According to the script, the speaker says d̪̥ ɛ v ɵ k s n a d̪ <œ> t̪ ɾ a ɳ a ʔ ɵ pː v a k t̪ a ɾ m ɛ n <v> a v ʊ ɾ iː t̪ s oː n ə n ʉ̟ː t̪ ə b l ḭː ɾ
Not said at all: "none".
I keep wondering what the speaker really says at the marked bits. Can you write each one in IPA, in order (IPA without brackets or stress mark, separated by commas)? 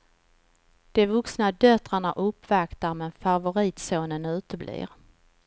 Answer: œ, f